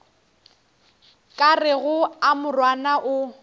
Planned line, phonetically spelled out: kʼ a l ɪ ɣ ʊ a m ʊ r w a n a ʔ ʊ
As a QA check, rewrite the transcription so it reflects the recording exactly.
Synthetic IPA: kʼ a r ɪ ɣ ʊ a m ʊ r w a n a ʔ ʊ